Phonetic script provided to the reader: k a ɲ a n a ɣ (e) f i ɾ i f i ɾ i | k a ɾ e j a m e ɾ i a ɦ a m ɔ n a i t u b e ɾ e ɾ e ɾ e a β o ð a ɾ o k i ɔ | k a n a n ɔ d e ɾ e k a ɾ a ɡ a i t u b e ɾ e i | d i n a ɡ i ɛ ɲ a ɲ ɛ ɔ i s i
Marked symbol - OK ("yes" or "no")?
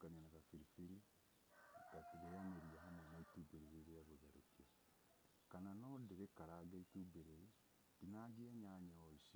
no